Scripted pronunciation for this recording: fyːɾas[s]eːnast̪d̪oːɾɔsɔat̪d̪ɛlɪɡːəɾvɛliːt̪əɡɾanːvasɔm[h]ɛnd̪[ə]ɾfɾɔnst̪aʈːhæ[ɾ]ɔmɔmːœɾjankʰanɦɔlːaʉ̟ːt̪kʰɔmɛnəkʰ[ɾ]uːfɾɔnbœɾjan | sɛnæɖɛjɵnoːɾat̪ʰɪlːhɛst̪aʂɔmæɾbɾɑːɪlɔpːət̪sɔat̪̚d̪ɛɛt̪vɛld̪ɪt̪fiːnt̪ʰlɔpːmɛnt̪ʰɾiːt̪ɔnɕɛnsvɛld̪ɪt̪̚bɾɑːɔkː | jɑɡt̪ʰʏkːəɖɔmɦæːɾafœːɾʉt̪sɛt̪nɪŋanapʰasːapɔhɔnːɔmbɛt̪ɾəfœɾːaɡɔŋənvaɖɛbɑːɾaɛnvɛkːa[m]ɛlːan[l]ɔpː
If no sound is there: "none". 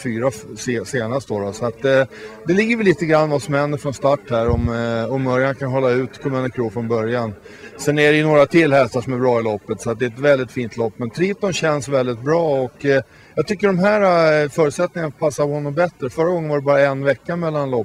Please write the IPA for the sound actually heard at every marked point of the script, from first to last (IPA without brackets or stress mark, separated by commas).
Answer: s, h, ə, ɾ, ɾ, m, l